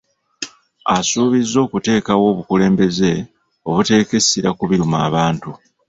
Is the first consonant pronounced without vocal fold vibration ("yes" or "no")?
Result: yes